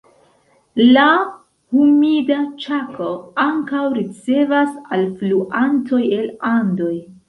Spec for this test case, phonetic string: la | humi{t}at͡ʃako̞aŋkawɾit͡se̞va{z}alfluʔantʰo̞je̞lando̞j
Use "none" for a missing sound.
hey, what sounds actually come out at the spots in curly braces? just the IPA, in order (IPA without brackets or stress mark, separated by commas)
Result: d, s